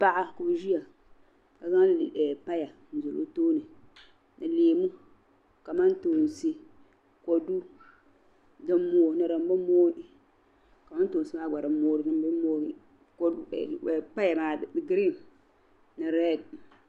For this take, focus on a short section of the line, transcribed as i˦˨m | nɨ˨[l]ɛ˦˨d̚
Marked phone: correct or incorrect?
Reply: incorrect